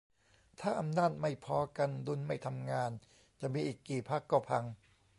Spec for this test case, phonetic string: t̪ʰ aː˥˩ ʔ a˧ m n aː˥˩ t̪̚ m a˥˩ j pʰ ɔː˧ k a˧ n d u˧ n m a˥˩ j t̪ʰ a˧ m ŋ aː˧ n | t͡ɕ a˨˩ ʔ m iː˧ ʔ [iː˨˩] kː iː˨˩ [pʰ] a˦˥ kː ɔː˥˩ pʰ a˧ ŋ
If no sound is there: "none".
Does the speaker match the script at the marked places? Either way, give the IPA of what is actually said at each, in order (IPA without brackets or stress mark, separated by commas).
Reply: iː˨˩, pʰ